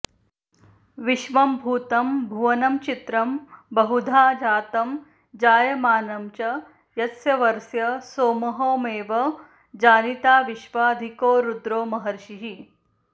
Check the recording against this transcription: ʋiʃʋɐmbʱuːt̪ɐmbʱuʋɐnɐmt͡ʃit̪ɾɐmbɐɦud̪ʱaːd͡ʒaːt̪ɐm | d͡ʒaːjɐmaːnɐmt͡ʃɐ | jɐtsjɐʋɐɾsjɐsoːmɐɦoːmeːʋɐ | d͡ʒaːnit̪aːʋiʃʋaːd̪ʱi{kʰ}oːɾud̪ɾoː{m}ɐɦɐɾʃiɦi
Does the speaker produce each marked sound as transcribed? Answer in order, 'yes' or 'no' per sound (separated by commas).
no, yes